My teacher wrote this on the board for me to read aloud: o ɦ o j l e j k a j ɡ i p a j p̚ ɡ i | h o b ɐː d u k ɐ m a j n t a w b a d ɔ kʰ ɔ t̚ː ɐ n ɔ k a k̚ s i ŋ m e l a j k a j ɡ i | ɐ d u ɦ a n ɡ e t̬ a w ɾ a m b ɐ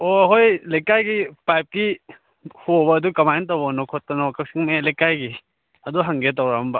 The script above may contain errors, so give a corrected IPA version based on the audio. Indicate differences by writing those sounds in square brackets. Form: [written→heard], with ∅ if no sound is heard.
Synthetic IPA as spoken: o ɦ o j l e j k a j ɡ i p a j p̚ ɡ i | h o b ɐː d u k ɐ m a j n t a w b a [d→n] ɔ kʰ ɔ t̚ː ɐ n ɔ k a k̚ s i ŋ m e l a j k a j ɡ i | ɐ d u ɦ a [n→ŋ] ɡ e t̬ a w ɾ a m b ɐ